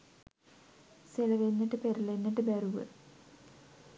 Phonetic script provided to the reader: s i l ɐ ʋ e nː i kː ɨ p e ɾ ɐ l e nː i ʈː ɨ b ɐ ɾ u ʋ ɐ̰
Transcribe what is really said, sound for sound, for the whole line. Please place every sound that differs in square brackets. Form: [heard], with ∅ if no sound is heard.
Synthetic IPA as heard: s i l ɐ ʋ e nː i [ʈː] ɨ p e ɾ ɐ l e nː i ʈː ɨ b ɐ ɾ u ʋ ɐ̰